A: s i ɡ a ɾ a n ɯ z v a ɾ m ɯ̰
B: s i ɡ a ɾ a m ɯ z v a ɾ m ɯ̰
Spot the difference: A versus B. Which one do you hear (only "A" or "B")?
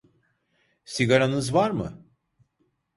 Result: A